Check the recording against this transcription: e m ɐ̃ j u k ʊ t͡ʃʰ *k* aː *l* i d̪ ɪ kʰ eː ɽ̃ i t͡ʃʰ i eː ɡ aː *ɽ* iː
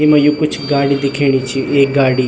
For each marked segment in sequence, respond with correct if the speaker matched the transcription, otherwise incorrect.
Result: incorrect: ɡ, incorrect: ɽ, correct

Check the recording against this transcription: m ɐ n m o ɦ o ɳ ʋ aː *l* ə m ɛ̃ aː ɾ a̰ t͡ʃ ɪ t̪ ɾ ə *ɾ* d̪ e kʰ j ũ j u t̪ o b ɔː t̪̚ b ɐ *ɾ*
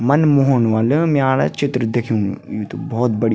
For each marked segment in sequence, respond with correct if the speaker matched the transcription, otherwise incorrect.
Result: correct, incorrect: none, incorrect: ɽ

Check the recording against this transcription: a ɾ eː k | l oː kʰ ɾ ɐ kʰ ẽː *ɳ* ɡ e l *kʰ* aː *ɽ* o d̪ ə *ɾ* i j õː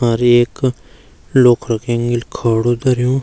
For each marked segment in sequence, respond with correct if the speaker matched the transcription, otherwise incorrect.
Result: incorrect: ŋ, correct, correct, correct

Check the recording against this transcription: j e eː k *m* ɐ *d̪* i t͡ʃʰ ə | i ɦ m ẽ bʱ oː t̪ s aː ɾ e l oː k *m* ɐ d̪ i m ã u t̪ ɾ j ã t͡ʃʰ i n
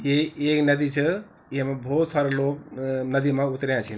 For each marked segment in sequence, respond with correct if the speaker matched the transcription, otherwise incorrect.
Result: incorrect: n, correct, incorrect: n

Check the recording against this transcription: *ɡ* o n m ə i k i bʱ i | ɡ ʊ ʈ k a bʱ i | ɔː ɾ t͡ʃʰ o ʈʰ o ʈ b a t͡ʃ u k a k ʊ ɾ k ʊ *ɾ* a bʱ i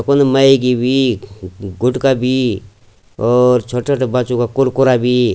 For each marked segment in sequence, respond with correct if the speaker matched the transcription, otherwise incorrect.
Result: incorrect: k, correct

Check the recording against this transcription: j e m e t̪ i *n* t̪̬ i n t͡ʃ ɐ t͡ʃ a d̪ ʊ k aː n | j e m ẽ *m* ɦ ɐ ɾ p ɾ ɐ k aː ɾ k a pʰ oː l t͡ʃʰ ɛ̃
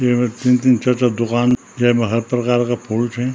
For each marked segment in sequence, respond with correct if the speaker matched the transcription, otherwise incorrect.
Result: correct, incorrect: none

